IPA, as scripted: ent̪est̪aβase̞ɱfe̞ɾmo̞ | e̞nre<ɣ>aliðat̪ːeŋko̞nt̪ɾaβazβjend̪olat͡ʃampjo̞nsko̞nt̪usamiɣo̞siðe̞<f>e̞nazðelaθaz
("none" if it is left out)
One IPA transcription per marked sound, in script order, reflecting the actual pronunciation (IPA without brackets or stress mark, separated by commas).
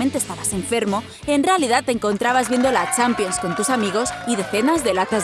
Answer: none, θ